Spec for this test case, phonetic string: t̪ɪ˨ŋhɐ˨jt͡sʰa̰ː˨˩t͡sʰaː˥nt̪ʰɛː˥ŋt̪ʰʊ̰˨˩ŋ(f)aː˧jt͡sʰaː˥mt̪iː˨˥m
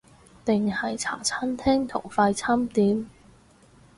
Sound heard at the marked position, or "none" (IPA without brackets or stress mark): f